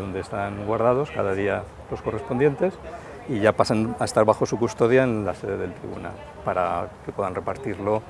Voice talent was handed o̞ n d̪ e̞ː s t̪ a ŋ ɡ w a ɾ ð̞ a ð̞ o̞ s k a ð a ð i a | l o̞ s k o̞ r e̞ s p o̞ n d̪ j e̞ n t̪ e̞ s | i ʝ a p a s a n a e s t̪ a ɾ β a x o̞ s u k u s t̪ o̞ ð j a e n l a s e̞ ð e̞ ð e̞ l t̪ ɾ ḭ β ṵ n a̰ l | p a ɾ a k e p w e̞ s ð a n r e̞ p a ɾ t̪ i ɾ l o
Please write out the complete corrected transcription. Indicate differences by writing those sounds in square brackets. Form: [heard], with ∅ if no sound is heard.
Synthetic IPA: o̞ n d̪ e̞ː s t̪ a ŋ ɡ w a ɾ ð̞ a ð̞ o̞ s k a ð a ð i a | l o̞ s k o̞ r e̞ s p o̞ n d̪ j e̞ n t̪ e̞ s | i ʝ a p a s a n a e s t̪ a ɾ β a x o̞ s u k u s t̪ o̞ ð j a e n l a s e̞ ð e̞ ð e̞ l t̪ ɾ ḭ β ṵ n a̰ l | p a ɾ a k e p w e̞ [∅] ð a n r e̞ p a ɾ t̪ i ɾ l o